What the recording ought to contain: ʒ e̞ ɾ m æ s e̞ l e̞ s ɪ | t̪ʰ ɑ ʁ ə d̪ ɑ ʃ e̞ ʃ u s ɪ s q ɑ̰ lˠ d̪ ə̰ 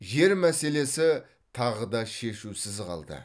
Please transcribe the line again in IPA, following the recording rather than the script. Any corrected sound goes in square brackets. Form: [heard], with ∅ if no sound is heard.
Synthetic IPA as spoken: ʒ e̞ ɾ m æ s e̞ l e̞ s ɪ | t̪ʰ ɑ ʁ ə d̪ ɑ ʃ e̞ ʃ u s ɪ [z] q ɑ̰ lˠ d̪ ə̰